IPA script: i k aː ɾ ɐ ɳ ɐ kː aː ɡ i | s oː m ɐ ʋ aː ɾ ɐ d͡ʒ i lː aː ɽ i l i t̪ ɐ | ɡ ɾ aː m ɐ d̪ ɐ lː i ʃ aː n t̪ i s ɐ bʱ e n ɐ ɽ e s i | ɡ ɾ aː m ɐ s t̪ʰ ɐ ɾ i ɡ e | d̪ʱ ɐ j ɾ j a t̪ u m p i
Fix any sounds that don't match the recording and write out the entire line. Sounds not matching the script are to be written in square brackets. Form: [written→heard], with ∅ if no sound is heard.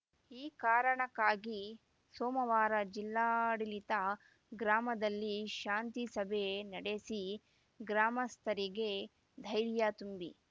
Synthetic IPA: [i→iː] k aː ɾ ɐ ɳ ɐ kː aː ɡ i | s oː m ɐ ʋ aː ɾ ɐ d͡ʒ i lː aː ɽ i l i t̪ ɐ | ɡ ɾ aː m ɐ d̪ ɐ lː i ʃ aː n t̪ i s ɐ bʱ e n ɐ ɽ e s i | ɡ ɾ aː m ɐ s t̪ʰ ɐ ɾ i ɡ e | d̪ʱ ɐ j ɾ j a t̪ u m [p→b] i

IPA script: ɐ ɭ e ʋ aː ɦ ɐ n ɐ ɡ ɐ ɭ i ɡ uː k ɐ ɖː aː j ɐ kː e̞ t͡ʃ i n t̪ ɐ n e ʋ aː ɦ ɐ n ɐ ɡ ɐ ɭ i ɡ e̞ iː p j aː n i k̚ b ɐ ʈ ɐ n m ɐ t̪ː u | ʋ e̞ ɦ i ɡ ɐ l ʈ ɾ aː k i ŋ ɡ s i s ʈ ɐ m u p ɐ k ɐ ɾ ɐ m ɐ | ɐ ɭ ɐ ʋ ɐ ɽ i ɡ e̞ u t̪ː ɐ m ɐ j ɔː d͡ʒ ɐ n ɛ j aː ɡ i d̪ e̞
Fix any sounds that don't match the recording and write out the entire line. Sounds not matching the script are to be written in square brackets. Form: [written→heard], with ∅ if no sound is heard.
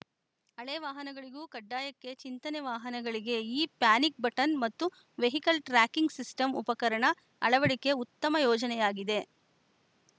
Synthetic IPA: ɐ ɭ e ʋ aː ɦ ɐ n ɐ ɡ ɐ ɭ i ɡ uː k ɐ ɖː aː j ɐ kː e̞ t͡ʃ i n t̪ ɐ n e ʋ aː ɦ ɐ n ɐ ɡ ɐ ɭ i ɡ e̞ iː p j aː n i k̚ b ɐ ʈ ɐ n m ɐ t̪ː u | ʋ e̞ ɦ i [ɡ→k] ɐ l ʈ ɾ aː k i ŋ ɡ s i s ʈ ɐ m u p ɐ k ɐ ɾ ɐ [m→ɳ] ɐ | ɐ ɭ ɐ ʋ ɐ ɽ i [ɡ→k] e̞ u t̪ː ɐ m ɐ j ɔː d͡ʒ ɐ n ɛ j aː ɡ i d̪ e̞

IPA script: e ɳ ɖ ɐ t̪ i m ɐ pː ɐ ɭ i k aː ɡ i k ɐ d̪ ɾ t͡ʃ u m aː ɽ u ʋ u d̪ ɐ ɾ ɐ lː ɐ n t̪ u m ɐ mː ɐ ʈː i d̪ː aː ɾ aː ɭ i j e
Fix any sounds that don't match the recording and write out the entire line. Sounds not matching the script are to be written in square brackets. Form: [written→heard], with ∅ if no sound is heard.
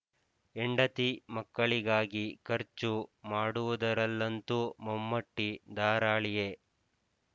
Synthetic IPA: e ɳ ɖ ɐ t̪ i m ɐ [pː→kː] ɐ ɭ i [k→ɡ] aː ɡ i k ɐ [d̪→∅] ɾ t͡ʃ u m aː ɽ u ʋ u d̪ ɐ ɾ ɐ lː ɐ n t̪ u m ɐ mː ɐ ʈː i [d̪ː→d̪] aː ɾ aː ɭ i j e

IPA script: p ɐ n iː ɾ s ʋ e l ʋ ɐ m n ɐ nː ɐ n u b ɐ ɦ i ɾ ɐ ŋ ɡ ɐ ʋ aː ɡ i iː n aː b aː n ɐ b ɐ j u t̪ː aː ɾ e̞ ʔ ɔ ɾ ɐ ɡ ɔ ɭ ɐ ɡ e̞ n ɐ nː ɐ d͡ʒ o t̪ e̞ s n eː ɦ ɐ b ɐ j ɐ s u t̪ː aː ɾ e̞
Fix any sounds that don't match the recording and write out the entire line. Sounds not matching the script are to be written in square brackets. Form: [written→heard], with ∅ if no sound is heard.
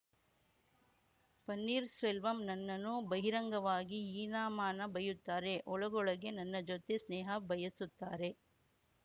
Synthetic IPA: p ɐ [n→nː] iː ɾ s ʋ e l ʋ ɐ m n ɐ nː ɐ n u b ɐ ɦ i ɾ ɐ ŋ ɡ ɐ ʋ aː ɡ i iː n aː [b→m] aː n ɐ b ɐ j u t̪ː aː ɾ e̞ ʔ ɔ [ɾ→ɭ] ɐ ɡ ɔ ɭ ɐ ɡ e̞ n ɐ nː ɐ d͡ʒ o t̪ e̞ s n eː ɦ ɐ b ɐ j ɐ s u t̪ː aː ɾ e̞

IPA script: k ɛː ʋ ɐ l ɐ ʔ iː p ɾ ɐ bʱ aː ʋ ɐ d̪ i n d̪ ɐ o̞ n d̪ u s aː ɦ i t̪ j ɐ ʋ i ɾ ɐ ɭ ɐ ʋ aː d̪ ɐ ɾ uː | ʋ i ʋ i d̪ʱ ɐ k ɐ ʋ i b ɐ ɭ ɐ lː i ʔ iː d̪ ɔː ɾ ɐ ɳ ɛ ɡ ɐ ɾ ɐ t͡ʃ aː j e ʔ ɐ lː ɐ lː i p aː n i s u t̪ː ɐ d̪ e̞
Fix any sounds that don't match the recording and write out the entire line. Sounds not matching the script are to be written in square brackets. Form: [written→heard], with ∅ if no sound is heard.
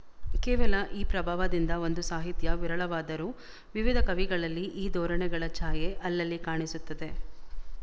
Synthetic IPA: k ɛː ʋ ɐ l ɐ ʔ iː p ɾ ɐ bʱ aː ʋ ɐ d̪ i n d̪ ɐ o̞ n d̪ u s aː ɦ i t̪ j ɐ ʋ i ɾ ɐ ɭ ɐ ʋ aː d̪ ɐ ɾ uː | ʋ i ʋ i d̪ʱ ɐ k ɐ ʋ i [b→ɡ] ɐ ɭ ɐ lː i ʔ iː d̪ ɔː ɾ ɐ ɳ ɛ ɡ ɐ [ɾ→ɭ] ɐ t͡ʃ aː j e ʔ ɐ lː ɐ lː i [p→k] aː [n→ɳ] i s u t̪ː ɐ d̪ e̞

